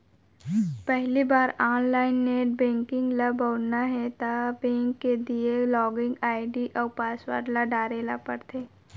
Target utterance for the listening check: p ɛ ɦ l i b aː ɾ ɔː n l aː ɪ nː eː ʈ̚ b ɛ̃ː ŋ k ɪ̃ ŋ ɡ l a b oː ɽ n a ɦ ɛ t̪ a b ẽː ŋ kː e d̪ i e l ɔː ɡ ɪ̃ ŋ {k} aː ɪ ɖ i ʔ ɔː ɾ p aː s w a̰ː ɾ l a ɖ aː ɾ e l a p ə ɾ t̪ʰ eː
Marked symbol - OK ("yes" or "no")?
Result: no